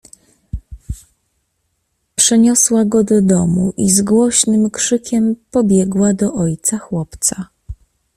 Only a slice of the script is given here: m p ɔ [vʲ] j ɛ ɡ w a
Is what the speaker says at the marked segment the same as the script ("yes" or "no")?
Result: no